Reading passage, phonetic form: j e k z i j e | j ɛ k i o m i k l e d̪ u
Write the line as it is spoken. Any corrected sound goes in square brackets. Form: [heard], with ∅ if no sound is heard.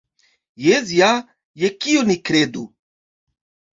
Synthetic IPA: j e [∅] z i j [a] | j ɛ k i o [n] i k [ɾ] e d̪ u

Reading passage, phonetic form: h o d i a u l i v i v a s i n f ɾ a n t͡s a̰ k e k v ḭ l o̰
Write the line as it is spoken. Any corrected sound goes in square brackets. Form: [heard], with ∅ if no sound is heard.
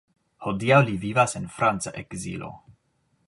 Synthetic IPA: h o d i a [w] l i v i v a s [e] n f ɾ a n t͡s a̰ [ʔ] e k [z] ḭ l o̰

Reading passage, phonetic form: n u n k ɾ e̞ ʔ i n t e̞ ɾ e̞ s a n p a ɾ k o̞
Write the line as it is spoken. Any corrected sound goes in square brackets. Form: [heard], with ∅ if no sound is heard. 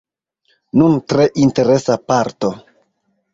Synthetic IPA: n u n [t] ɾ e̞ ʔ i n t e̞ ɾ e̞ s a [∅] p a ɾ [t] o̞

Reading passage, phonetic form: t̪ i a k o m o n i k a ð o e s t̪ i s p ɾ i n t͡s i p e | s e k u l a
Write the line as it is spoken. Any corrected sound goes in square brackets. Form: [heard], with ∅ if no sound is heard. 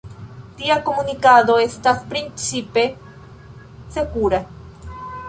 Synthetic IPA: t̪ i a k o m [u] n i k a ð o e s t̪ [a] s p ɾ i n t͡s i p e | s e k u [ɾ] a

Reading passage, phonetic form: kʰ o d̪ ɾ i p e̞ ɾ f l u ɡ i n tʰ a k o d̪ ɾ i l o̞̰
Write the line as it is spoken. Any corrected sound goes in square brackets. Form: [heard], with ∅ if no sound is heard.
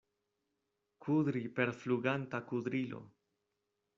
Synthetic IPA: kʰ [u] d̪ ɾ i p e̞ ɾ f l u ɡ [a] n [t] a k [u] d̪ ɾ i l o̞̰

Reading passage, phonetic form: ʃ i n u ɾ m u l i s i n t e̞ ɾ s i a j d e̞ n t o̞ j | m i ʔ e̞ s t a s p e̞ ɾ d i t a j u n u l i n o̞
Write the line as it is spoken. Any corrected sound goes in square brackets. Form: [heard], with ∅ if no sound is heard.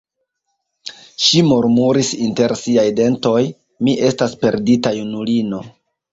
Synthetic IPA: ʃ i [m] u ɾ m u [ɾ] i s i n t e̞ ɾ s i a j d e̞ n t o̞ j | m i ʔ e̞ s t a s p e̞ ɾ d i t a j u n u l i n o̞

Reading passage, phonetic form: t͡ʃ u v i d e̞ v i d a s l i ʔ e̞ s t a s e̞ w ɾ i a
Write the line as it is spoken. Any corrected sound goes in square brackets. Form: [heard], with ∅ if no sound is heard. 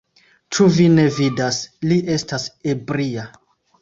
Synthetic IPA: t͡ʃ u v i [n] e̞ v i d a s l i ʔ e̞ s t a s e̞ [b] ɾ i a

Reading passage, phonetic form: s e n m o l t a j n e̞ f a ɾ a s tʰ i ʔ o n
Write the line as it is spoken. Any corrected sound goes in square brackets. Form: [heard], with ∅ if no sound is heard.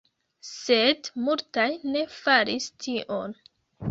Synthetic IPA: s e [d] m [u] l t a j n e̞ f a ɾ [i] s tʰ i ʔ o n

